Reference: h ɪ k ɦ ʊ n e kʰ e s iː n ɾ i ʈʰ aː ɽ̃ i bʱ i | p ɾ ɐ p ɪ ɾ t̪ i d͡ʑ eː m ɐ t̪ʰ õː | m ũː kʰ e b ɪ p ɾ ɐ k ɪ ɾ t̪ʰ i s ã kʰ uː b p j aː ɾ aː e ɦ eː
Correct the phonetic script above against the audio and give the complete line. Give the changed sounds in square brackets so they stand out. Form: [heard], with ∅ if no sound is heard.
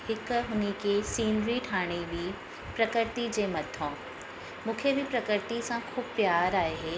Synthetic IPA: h ɪ k ɦ ʊ n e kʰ e s iː n ɾ i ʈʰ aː ɽ̃ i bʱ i | p ɾ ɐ [k] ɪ ɾ t̪ i d͡ʑ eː m ɐ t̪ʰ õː | m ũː kʰ e b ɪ p ɾ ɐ k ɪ ɾ [t̪] i s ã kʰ uː b p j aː ɾ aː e ɦ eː

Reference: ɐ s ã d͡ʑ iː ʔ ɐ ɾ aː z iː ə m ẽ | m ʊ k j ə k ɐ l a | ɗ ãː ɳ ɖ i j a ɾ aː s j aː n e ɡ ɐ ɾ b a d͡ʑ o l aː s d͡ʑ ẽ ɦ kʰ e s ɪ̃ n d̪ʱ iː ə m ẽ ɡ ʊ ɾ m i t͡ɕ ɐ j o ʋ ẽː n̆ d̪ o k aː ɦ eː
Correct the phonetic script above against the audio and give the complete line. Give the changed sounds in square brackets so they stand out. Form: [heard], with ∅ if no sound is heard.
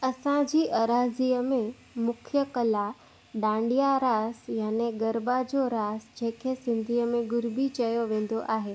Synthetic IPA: ɐ s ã d͡ʑ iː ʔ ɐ ɾ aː z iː ə m ẽ | m ʊ [kʰ] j ə k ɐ l a | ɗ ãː ɳ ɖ i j a ɾ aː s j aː n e ɡ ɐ ɾ b a d͡ʑ o [ɾ] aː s d͡ʑ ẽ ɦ kʰ e s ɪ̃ n d̪ʱ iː ə m ẽ ɡ ʊ ɾ [b] i t͡ɕ ɐ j o ʋ ẽː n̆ d̪ o [ʔ] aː ɦ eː

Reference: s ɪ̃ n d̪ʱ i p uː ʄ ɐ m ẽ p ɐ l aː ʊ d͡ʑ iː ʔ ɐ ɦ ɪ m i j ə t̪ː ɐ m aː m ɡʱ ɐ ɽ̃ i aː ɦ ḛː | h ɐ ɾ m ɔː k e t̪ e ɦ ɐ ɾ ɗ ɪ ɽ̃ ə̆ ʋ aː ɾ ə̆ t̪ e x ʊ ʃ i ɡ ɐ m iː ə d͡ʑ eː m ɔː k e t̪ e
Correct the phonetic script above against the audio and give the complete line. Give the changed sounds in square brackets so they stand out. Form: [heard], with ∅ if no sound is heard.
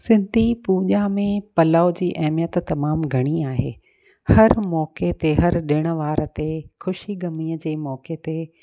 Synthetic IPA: s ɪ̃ n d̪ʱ i p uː ʄ [a] m ẽ p ɐ l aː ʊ d͡ʑ iː ʔ ɐ ɦ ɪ m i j ə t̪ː ɐ m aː m ɡʱ ɐ ɽ̃ i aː ɦ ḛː | h ɐ ɾ m ɔː k e t̪ e ɦ ɐ ɾ ɗ ɪ ɽ̃ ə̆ ʋ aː ɾ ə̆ t̪ e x ʊ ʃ i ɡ ɐ m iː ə d͡ʑ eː m ɔː k e t̪ e

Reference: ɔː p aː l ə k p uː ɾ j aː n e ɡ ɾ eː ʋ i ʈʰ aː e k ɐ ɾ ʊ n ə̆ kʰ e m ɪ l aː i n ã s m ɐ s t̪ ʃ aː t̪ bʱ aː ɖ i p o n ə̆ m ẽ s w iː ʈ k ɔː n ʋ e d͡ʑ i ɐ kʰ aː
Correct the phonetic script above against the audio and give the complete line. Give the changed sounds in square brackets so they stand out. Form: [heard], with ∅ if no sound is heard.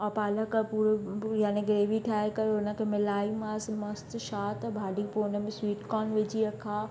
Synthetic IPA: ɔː p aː l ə k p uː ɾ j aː n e ɡ ɾ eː ʋ i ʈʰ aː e k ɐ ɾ ʊ n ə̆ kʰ e m ɪ l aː i [m] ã s m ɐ s t̪ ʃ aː t̪ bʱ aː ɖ i p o n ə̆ m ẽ s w iː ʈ k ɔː n ʋ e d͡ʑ i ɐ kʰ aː

